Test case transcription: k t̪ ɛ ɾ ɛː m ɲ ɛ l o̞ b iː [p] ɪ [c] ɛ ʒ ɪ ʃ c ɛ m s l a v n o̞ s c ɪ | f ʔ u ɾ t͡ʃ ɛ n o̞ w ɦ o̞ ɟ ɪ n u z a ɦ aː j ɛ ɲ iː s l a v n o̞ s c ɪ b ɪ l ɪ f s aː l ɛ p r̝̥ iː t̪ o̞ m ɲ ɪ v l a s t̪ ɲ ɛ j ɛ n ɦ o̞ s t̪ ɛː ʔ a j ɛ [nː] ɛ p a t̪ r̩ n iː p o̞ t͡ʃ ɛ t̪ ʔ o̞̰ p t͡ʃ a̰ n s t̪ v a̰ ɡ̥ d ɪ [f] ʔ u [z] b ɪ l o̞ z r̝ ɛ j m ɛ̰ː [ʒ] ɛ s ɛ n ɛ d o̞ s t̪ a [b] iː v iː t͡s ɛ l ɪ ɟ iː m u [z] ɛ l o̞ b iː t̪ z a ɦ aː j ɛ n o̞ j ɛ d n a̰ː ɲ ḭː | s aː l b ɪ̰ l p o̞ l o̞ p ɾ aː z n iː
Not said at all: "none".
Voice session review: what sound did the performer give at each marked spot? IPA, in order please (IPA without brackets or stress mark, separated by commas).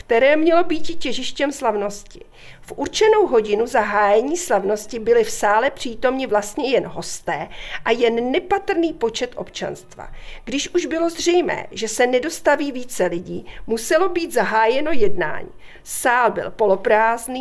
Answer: c, c, nː, ʃ, ʒ, ʒ, v, s